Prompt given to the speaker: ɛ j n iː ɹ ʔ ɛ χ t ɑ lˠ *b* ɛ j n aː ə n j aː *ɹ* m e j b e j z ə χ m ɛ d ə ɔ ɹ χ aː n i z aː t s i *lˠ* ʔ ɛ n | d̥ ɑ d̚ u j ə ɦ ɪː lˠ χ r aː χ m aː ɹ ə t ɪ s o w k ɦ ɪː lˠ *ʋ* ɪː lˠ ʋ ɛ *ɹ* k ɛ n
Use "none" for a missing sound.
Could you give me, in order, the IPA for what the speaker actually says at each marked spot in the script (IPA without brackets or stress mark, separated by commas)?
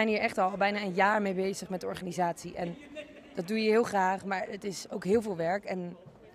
b, ɹ, none, v, ɹ